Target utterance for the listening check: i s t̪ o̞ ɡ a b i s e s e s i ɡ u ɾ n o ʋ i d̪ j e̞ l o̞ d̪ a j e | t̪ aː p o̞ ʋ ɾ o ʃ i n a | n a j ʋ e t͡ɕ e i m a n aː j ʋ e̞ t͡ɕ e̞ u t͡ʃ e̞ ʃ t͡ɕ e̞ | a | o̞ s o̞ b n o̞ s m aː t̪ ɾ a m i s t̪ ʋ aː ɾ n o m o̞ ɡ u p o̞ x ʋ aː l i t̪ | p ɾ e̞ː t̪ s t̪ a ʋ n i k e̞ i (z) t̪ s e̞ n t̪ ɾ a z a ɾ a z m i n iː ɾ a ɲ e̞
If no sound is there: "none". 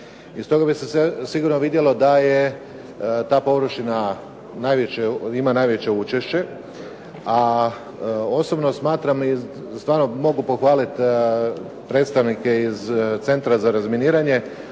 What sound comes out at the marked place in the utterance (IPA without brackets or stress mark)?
z